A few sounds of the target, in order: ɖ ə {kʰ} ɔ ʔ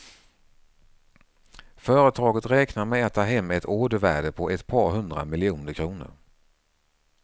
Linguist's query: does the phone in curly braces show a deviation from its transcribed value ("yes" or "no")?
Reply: yes